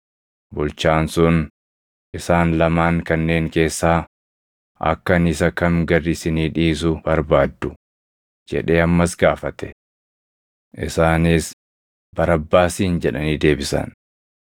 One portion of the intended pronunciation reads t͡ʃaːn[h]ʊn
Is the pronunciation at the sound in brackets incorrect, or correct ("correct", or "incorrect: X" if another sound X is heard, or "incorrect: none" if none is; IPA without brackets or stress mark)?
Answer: incorrect: s